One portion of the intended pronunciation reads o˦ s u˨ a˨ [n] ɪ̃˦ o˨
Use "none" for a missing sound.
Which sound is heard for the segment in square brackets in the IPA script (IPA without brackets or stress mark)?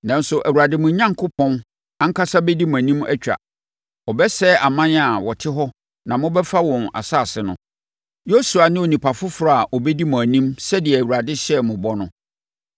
n